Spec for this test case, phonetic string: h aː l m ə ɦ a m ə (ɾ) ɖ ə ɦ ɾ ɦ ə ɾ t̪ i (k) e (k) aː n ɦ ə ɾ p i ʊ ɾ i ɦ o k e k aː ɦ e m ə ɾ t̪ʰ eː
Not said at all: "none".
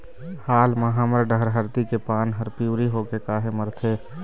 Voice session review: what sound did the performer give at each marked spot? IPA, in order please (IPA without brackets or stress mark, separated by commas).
ɾ, k, p